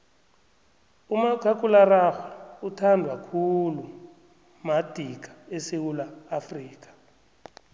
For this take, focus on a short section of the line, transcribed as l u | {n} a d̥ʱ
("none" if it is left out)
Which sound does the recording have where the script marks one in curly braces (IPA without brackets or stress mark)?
m